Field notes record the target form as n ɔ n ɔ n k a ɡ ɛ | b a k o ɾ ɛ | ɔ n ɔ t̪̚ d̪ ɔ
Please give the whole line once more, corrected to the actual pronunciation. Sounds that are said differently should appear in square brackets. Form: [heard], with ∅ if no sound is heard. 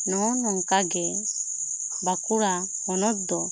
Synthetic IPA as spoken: n ɔ n ɔ [ŋ] k a ɡ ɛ | b a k [u] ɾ [a] | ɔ n ɔ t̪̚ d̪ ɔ